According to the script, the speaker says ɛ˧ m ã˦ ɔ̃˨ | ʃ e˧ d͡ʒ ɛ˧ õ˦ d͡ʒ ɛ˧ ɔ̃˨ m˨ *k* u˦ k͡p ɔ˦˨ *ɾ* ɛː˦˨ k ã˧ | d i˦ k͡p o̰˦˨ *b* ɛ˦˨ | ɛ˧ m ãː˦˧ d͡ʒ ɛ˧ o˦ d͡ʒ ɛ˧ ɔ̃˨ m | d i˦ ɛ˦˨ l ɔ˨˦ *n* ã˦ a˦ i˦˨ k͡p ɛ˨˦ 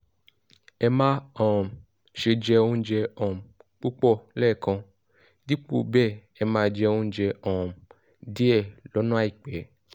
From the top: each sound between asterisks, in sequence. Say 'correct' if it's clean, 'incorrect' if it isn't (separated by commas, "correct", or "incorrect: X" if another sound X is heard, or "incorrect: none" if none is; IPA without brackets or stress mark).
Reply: incorrect: k͡p, incorrect: l, correct, correct